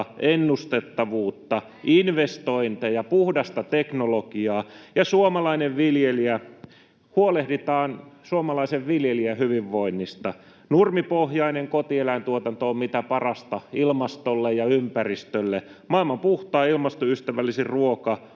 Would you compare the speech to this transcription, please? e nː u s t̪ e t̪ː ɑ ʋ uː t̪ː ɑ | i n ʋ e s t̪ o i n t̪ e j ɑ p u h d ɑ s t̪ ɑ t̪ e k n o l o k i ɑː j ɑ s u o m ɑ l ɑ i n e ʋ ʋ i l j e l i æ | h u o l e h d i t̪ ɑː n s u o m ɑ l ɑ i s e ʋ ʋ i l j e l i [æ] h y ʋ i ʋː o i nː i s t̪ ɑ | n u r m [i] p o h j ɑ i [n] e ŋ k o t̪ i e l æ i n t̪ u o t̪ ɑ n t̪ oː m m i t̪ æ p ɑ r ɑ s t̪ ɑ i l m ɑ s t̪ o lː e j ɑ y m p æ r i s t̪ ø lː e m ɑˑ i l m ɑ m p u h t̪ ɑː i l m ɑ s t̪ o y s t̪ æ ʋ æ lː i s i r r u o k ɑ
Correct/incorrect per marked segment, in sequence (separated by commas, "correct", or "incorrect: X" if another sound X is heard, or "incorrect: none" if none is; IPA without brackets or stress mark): correct, correct, correct